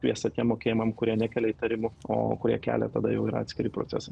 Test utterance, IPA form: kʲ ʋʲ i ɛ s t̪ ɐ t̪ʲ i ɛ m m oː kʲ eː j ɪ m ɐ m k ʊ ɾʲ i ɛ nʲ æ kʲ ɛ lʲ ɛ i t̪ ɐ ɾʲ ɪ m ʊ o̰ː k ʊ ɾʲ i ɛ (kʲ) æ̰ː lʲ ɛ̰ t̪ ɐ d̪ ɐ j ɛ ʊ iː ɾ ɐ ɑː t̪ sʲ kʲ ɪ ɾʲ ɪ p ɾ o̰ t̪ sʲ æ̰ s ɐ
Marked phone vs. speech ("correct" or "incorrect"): correct